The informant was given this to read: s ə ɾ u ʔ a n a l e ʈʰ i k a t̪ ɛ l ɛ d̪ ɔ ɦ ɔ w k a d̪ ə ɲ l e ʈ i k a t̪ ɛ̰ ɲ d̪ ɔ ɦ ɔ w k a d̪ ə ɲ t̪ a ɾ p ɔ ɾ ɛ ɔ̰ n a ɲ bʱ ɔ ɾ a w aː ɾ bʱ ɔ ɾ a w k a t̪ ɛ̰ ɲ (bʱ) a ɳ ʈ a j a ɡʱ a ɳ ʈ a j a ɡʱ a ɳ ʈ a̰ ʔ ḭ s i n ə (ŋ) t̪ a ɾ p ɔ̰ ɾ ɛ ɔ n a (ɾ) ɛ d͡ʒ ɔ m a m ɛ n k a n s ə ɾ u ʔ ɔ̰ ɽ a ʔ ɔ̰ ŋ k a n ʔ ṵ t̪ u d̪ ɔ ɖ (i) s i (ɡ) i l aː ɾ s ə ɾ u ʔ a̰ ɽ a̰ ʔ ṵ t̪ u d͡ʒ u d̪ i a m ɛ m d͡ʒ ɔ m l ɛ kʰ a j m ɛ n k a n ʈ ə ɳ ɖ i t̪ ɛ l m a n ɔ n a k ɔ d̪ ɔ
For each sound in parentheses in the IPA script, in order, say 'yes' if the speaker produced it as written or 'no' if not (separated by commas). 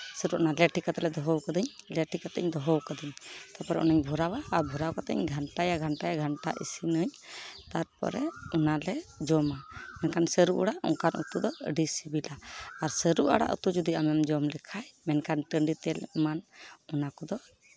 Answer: no, no, no, yes, no